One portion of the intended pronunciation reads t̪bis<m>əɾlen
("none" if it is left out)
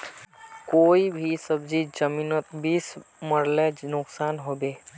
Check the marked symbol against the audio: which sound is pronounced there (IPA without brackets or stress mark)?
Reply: m